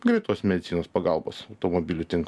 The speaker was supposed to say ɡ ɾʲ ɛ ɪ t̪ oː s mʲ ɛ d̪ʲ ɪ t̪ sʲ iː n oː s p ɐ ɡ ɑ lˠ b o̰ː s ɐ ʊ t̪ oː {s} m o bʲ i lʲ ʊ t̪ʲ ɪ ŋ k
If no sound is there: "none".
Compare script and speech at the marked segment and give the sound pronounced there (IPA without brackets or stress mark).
none